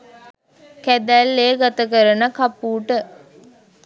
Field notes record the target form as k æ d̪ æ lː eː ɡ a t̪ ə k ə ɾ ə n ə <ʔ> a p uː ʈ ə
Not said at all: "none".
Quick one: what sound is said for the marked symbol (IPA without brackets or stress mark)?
k